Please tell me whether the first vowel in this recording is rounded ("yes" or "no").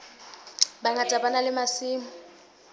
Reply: no